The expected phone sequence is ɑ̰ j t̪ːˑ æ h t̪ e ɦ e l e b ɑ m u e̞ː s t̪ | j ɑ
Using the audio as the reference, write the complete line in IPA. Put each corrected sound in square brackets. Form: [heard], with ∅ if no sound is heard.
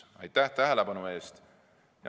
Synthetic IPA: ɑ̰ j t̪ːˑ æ h t̪ [æ] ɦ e l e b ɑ [n] u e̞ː s t̪ | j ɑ